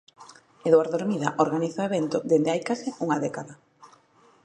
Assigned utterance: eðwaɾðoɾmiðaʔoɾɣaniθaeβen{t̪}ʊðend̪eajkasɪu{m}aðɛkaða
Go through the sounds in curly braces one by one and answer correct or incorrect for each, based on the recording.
correct, incorrect: ŋ

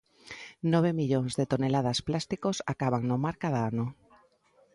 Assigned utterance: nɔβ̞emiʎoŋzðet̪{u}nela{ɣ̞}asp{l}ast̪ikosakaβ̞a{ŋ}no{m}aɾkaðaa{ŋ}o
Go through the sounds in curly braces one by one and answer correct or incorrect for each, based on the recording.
incorrect: o, incorrect: ð̞, correct, correct, correct, incorrect: n

